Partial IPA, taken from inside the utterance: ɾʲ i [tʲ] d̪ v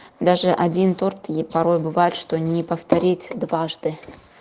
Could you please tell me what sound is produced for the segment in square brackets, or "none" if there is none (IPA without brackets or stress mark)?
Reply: tʲ